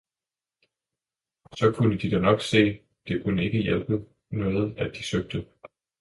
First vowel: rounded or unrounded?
rounded